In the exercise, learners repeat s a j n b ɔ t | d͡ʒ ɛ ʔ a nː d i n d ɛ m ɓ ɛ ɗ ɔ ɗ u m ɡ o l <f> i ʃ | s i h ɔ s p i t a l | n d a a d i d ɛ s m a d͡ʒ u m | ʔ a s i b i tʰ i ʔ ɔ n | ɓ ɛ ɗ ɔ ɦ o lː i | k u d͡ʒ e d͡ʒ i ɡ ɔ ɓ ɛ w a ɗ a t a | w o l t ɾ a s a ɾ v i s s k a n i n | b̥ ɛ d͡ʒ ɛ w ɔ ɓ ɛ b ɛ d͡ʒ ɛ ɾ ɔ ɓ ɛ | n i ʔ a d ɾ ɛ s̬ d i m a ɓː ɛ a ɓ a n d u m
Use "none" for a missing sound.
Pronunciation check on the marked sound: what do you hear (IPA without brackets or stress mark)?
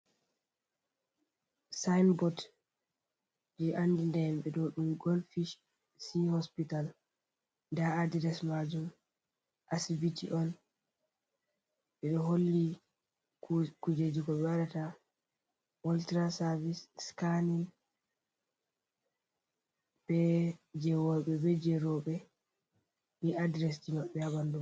f